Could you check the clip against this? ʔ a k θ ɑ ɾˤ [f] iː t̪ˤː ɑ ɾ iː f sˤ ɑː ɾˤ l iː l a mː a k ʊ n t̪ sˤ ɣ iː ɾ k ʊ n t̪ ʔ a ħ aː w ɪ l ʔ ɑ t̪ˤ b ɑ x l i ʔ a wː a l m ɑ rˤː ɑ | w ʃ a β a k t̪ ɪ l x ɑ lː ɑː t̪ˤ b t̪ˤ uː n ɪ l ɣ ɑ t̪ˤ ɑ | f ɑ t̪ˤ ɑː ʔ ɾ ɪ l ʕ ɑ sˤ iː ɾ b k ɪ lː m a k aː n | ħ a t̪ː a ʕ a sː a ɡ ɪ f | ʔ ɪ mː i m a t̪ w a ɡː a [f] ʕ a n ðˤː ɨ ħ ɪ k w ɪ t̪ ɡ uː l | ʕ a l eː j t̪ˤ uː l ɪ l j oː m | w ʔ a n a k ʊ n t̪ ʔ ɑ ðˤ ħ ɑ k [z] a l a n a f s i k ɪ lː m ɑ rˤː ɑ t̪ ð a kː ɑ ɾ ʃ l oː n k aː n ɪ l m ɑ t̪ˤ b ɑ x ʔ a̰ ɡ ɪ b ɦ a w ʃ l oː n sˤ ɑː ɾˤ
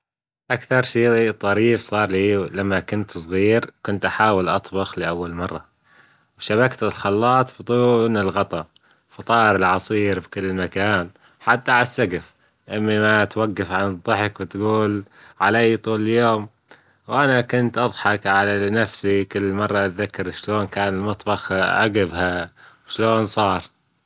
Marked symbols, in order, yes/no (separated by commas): no, yes, no